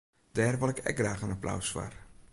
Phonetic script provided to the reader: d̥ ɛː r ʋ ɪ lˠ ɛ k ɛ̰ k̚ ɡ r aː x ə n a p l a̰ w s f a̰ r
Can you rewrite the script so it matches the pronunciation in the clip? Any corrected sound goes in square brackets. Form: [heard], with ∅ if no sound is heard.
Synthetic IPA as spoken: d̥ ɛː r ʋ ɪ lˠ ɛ k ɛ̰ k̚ ɡ r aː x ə n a p l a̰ w s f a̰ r